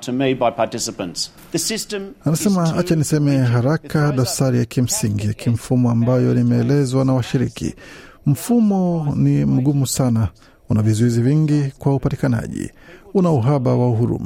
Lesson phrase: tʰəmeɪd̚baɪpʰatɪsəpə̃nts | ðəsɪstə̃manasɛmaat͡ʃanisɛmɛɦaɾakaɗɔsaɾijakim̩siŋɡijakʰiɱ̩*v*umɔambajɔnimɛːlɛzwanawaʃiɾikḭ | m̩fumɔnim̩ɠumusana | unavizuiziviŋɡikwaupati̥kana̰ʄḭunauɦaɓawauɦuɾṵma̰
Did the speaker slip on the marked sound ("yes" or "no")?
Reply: yes